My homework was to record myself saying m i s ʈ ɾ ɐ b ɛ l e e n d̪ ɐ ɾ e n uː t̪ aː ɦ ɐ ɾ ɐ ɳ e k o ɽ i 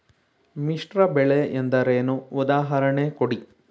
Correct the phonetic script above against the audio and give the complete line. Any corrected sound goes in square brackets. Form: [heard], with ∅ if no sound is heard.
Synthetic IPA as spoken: m i [ʂ] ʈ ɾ ɐ b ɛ [ɭ] e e n d̪ ɐ ɾ e n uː [d̪] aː ɦ ɐ ɾ ɐ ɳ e k o ɽ i